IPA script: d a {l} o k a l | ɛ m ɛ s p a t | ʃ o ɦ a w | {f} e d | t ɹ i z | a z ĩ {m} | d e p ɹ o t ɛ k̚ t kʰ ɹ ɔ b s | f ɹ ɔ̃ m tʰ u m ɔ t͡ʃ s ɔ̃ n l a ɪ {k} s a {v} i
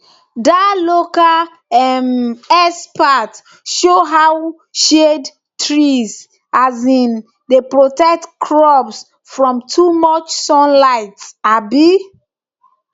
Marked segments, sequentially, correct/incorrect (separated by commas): correct, incorrect, incorrect, incorrect, incorrect